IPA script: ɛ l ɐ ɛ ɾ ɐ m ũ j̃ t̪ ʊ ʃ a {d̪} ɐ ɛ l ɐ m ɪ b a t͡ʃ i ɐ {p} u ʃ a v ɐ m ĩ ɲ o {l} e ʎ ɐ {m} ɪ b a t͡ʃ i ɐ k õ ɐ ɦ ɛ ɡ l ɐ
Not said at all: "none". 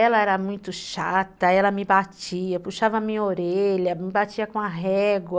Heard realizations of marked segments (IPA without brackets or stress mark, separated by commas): t̪, p, ɾ, m